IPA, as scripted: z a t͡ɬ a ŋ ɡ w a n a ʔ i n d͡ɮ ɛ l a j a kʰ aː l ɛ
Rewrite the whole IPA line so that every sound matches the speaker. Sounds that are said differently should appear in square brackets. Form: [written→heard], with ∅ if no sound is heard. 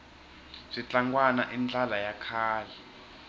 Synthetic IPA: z [a→i] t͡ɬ a ŋ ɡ w a n a ʔ i n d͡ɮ [ɛ→a] l a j a kʰ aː l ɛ